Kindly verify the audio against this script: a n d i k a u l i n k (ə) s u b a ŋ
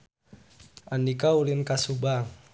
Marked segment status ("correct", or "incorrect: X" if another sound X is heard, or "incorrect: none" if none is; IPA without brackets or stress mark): incorrect: a